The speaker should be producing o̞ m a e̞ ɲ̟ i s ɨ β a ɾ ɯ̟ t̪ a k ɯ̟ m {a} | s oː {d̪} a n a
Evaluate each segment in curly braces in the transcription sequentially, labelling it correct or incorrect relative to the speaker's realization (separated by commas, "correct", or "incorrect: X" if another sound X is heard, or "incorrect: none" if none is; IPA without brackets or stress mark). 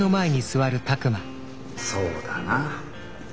correct, correct